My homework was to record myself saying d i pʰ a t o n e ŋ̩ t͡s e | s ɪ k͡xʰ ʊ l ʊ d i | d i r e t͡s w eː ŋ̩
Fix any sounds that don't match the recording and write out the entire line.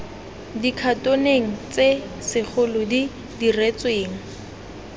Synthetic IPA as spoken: d i kʰ a t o n e ŋ̩ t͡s e | s ɪ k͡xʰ ʊ l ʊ d i | d i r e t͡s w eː ŋ̩